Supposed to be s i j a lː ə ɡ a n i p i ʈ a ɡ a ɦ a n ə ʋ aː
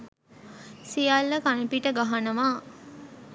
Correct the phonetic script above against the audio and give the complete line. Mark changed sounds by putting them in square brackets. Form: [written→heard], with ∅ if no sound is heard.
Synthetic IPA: s i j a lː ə [ɡ→k] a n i p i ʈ [a→ə] ɡ a ɦ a n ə ʋ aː